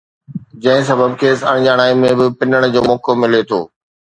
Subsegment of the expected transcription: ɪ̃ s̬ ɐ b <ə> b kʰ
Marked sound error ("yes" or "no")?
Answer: no